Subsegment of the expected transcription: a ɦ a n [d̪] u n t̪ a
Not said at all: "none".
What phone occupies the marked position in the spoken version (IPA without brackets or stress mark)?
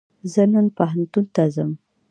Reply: t̪